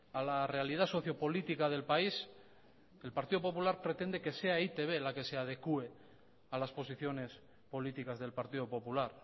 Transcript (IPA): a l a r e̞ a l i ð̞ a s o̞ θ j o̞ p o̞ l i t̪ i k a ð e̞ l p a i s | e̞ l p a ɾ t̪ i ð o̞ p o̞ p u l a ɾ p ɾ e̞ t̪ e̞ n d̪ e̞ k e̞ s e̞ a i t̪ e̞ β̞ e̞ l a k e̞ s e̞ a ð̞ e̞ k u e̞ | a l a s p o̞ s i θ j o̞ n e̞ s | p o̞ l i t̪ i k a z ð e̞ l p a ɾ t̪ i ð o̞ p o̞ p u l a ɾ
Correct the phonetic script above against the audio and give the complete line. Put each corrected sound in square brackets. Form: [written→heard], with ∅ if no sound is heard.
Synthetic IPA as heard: a l a r e̞ a l i ð̞ a s o̞ θ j o̞ p o̞ l i t̪ i k a ð e̞ l p a i s | e̞ l p a ɾ t̪ i ð o̞ p o̞ p u l a ɾ p ɾ e̞ t̪ e̞ n d̪ e̞ k e̞ s e̞ a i t̪ e̞ β̞ e̞ l a k e̞ s e̞ a ð̞ e̞ k u e̞ | a l a s p o̞ s i θ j o̞ n e̞ s | p o̞ l i t̪ i k a z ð e̞ l p a ɾ t̪ i ð o̞ p o̞ p u l a ɾ